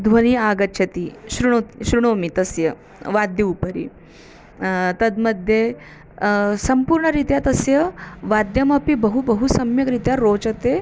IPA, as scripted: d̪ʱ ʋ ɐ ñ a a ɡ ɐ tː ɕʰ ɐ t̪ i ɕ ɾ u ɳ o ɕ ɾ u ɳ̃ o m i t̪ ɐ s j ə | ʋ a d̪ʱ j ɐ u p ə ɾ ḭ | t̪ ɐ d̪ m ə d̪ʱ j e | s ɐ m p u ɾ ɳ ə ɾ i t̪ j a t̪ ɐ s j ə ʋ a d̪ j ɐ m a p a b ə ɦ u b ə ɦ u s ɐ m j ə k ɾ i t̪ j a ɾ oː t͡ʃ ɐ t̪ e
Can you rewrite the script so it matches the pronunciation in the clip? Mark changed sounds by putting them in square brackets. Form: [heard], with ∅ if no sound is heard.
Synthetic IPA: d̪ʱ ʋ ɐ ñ [i] a ɡ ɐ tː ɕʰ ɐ t̪ i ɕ ɾ u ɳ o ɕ ɾ u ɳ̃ o m i t̪ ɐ s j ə | ʋ a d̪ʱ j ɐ u p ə ɾ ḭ | t̪ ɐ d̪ m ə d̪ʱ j e | s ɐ m p u ɾ ɳ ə ɾ i t̪ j a t̪ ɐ s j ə ʋ a d̪ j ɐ m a p [i] b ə ɦ u b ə ɦ u s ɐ m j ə k ɾ i t̪ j a ɾ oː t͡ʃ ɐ t̪ e